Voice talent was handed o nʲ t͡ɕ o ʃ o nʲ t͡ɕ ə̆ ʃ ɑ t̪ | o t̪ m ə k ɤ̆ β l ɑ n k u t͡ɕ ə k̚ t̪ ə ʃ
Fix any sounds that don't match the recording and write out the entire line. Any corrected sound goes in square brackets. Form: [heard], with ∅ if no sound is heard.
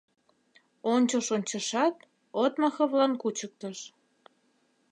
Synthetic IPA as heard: o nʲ t͡ɕ o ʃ o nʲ t͡ɕ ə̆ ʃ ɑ t̪ | o t̪ m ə [x] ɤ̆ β l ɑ n k u t͡ɕ ə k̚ t̪ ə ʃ